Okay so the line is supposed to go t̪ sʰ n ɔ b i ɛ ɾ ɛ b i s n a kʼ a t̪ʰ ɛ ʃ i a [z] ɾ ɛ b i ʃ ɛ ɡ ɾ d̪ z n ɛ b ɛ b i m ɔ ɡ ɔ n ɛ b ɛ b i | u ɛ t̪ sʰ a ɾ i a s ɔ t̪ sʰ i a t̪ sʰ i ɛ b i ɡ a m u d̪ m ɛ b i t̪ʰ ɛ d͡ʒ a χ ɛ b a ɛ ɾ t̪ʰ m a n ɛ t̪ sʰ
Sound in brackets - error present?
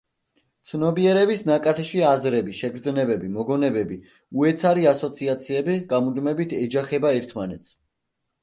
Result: no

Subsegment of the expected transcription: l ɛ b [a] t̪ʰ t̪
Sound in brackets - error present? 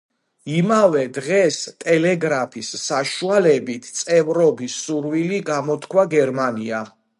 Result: yes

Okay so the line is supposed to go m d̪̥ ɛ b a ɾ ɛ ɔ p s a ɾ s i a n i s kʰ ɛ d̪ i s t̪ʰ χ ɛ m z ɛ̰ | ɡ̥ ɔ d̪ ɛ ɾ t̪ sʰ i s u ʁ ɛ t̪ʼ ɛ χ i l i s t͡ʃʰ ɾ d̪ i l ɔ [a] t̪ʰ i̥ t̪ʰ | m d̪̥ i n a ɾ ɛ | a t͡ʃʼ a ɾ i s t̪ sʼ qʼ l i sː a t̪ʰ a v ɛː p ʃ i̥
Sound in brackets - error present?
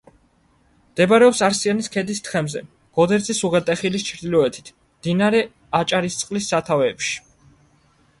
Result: yes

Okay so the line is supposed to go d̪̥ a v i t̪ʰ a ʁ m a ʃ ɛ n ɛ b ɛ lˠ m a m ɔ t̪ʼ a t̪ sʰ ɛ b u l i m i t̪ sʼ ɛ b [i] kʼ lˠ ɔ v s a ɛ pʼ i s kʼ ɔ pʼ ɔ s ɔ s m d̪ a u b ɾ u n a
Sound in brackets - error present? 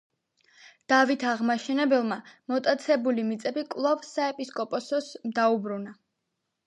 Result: no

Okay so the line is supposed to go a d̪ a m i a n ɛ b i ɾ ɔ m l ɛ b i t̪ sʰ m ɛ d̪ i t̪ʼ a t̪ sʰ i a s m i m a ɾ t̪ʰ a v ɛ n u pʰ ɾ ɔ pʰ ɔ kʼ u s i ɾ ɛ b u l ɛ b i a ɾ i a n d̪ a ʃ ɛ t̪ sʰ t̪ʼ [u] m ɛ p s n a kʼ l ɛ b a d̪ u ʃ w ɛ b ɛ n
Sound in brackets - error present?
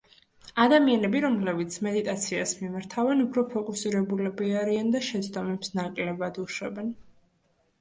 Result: yes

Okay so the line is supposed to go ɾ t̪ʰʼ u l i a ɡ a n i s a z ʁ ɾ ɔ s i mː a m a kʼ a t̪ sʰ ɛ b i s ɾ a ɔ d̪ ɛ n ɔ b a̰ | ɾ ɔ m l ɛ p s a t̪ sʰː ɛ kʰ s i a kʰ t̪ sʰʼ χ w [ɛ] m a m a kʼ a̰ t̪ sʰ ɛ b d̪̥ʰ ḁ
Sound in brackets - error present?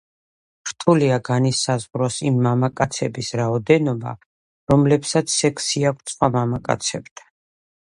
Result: yes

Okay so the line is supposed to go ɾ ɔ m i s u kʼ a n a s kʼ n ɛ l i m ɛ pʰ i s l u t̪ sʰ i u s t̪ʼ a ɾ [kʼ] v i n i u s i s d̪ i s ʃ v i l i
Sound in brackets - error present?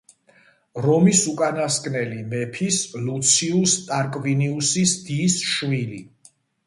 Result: no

